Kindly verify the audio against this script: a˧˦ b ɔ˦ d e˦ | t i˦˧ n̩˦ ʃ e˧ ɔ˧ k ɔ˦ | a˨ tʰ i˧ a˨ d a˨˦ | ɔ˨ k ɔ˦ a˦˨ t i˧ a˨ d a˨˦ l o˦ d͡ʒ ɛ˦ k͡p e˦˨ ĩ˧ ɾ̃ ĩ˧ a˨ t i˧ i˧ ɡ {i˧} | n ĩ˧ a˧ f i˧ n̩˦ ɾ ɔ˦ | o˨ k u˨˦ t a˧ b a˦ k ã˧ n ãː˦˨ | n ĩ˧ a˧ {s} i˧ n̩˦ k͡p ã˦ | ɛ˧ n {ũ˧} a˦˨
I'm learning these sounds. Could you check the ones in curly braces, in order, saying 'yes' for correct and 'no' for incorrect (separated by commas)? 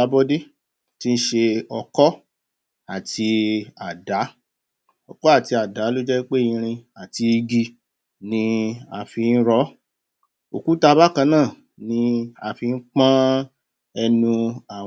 yes, no, yes